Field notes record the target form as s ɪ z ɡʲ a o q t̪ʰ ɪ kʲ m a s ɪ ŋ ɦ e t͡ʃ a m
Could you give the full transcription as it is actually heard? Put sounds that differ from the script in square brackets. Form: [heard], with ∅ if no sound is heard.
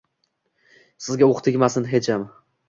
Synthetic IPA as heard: s ɪ z ɡʲ a o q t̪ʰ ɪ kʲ m a s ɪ [n] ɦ e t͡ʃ a m